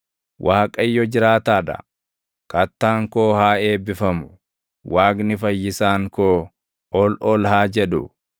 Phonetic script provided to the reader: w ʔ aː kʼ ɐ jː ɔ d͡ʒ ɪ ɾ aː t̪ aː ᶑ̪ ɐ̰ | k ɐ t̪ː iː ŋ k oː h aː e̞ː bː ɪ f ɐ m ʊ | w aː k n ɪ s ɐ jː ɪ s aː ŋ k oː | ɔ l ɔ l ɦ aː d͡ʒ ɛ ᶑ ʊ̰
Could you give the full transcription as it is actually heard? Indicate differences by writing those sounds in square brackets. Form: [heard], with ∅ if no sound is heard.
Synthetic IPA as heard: w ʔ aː kʼ ɐ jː ɔ d͡ʒ ɪ ɾ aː t̪ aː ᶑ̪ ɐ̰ | k ɐ t̪ː [aː] ŋ k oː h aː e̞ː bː ɪ f ɐ m ʊ | w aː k n ɪ [f] ɐ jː ɪ s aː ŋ k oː | ɔ l ɔ l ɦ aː d͡ʒ ɛ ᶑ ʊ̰